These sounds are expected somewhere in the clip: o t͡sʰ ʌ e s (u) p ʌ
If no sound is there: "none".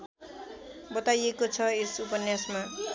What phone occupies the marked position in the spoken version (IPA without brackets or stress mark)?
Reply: u